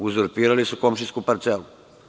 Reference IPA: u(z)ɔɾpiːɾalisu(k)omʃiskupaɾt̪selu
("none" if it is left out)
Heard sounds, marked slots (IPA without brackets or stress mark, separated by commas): z, k